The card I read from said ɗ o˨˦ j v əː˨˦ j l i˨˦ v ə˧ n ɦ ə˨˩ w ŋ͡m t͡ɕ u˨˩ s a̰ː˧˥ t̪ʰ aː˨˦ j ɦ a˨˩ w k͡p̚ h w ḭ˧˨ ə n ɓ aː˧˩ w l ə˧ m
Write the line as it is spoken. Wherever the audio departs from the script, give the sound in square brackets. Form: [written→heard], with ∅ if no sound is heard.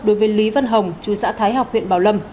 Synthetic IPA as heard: ɗ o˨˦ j v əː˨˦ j l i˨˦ v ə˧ n ɦ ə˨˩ w ŋ͡m t͡ɕ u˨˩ s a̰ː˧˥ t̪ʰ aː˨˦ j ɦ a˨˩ w k͡p̚ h w ḭ˧˨ ə n ɓ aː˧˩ w l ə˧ m